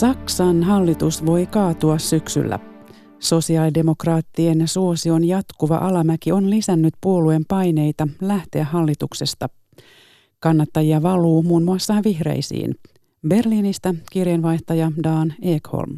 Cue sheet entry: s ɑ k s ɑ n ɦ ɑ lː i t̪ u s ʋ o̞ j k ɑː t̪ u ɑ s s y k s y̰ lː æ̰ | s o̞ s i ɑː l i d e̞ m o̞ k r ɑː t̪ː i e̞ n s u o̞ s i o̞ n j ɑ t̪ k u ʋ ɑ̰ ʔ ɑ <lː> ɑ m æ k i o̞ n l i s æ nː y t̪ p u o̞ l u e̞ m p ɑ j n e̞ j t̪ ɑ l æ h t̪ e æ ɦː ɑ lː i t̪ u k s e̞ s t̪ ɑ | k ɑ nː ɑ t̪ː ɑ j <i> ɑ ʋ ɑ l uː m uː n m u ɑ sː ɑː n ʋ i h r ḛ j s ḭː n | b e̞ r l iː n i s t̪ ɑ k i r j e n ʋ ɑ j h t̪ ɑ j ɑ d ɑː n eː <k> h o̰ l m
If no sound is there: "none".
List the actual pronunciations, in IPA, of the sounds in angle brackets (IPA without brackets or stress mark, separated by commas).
l, i, k